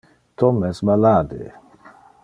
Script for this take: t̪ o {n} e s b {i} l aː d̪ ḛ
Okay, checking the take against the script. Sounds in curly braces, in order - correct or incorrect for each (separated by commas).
incorrect, incorrect